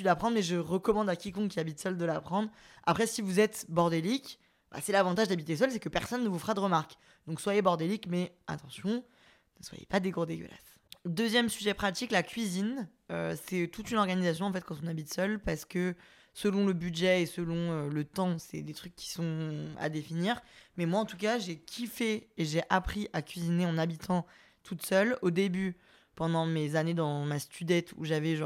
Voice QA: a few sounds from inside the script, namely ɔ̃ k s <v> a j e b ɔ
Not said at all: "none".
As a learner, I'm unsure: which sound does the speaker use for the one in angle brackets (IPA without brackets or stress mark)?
w